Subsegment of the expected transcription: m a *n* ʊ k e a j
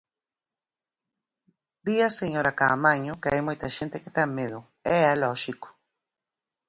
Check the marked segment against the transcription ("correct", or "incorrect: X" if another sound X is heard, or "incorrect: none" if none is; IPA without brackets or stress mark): incorrect: ɲ